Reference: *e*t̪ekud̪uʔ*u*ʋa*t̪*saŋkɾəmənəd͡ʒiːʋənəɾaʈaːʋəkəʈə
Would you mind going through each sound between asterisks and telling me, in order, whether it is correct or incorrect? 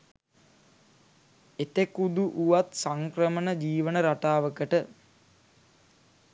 correct, correct, correct

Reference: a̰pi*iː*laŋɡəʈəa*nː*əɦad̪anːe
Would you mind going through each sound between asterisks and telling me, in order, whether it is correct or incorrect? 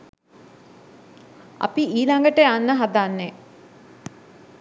correct, correct

